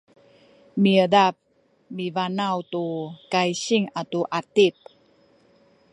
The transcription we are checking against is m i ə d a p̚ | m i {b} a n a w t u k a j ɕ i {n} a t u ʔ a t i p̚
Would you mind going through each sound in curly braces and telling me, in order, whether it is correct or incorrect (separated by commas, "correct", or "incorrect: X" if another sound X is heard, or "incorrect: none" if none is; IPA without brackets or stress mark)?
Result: incorrect: v, incorrect: ŋ